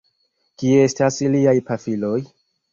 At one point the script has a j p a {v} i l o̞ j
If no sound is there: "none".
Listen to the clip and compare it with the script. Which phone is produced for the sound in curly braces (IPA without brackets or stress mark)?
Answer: f